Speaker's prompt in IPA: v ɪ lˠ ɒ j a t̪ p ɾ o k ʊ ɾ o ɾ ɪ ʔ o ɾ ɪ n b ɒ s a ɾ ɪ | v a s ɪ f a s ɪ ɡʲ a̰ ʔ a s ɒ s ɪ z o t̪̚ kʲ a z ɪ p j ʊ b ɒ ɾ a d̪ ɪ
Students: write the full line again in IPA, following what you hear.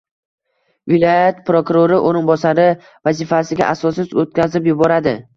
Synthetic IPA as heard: v ɪ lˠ ɒ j a t̪ p ɾ o k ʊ ɾ o ɾ ɪ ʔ o ɾ ɪ n b ɒ s a ɾ ɪ | v a z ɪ f a s ɪ ɡʲ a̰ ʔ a s ɒ s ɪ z o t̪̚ kʲ a z ɪ p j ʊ b ɒ ɾ a d̪ ɪ